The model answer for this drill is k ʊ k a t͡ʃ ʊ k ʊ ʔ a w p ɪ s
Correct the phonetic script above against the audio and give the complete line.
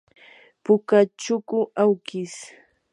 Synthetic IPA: p ʊ k a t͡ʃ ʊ k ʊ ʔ a w k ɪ s